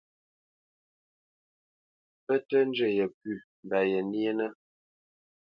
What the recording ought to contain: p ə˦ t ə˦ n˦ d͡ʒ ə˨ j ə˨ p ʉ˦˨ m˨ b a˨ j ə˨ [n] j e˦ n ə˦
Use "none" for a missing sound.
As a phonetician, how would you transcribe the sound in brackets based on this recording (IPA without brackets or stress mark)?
n